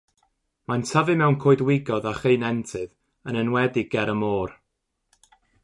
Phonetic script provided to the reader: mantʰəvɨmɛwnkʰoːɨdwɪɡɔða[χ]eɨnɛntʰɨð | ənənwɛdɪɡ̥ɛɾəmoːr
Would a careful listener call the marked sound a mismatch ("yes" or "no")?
no